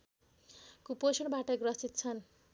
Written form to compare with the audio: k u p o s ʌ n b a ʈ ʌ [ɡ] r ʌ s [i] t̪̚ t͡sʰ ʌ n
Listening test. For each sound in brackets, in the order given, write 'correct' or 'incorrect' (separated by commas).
correct, correct